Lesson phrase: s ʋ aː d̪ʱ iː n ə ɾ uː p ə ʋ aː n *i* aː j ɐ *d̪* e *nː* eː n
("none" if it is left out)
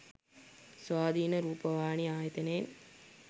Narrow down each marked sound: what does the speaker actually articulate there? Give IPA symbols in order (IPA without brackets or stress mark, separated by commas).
i, t̪, n